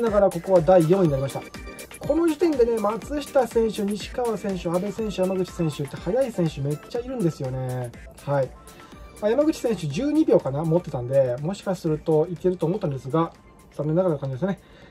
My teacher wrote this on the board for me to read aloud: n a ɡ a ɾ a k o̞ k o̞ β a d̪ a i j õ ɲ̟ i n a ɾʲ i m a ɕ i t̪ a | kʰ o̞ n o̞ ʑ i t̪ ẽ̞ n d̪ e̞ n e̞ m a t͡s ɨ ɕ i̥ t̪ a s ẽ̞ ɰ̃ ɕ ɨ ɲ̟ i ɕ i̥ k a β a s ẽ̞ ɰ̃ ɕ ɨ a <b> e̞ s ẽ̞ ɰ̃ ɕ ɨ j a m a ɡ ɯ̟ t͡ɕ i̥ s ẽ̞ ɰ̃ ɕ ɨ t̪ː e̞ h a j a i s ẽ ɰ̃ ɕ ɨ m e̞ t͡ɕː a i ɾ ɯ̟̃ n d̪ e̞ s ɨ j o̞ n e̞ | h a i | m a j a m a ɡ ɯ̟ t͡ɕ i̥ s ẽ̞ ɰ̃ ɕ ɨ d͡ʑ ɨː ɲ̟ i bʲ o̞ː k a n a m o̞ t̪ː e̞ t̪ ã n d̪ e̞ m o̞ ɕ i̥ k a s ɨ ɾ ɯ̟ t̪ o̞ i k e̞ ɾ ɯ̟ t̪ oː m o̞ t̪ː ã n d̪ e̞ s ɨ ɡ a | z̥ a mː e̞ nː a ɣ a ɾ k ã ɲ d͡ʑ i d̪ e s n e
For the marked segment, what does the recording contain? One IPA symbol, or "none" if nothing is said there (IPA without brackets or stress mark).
b